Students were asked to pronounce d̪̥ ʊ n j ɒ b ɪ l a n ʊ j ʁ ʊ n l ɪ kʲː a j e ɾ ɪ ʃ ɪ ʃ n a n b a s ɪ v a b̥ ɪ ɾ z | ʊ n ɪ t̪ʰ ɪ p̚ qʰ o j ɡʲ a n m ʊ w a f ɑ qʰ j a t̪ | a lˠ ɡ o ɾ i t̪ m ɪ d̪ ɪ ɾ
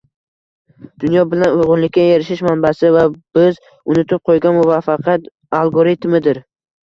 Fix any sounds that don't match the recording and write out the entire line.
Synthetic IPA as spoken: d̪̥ ʊ n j ɒ b ɪ l a n ʊ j ʁ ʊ n l ɪ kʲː a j e ɾ ɪ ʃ ɪ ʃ m a n b a s ɪ v a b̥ ɪ z | ʊ n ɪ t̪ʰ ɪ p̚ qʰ o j ɡʲ a n m ʊ v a f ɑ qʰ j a t̪ | a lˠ ɡ o ɾ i t̪ m ɪ d̪ ɪ ɾ